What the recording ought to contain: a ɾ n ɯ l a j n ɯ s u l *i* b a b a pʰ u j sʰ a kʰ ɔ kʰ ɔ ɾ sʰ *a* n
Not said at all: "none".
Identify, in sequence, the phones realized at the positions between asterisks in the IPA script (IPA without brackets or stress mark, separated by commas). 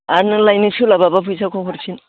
a, i